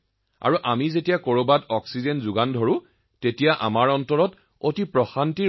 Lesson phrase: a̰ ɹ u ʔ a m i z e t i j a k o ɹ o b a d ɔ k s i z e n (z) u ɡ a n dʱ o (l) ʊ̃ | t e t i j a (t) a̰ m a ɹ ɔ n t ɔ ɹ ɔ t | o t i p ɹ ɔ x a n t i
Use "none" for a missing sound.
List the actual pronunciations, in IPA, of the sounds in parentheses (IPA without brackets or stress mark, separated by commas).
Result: z, ɹ, ʔ